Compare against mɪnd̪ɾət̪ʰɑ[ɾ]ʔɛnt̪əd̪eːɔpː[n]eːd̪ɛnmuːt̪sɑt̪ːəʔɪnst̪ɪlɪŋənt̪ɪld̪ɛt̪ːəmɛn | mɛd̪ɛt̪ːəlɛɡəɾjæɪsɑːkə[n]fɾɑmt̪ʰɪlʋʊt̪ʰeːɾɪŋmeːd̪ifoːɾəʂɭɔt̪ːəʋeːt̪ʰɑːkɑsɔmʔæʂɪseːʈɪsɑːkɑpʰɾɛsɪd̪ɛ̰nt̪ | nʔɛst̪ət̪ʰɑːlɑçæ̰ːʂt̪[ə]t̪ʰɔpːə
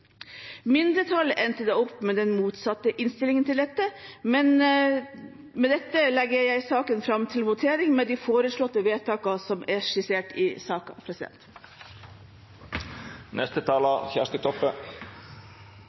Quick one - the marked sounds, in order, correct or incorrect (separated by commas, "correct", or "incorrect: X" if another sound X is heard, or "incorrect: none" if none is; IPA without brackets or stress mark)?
incorrect: l, incorrect: m, correct, correct